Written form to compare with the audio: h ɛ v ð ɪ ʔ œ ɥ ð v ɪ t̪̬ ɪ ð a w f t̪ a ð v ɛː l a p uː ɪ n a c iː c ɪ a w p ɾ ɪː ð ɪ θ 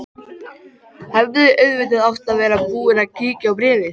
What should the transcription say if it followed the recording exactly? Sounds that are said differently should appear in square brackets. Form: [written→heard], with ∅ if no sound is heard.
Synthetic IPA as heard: h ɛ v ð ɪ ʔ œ ɥ ð v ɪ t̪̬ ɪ ð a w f t̪ a ð v ɛː [l→ɾ] a p uː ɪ n a c iː c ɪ a w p ɾ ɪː [ð→v] ɪ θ